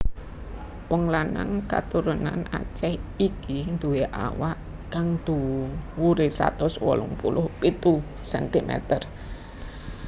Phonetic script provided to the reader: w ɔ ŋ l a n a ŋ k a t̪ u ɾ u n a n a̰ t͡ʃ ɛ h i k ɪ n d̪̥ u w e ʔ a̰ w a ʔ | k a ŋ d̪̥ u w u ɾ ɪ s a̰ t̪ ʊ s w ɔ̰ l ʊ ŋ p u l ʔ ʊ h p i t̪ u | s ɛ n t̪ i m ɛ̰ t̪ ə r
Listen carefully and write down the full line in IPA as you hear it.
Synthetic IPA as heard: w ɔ ŋ l a n a ŋ k a t̪ u ɾ u n a n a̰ t͡ʃ ɛ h i k i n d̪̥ u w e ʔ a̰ w a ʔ | k a ŋ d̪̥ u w u ɾ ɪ s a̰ t̪ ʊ s w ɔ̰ l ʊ ŋ p u l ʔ ʊ h p i t̪ u | s ɛ n t̪ i m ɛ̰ t̪ ə r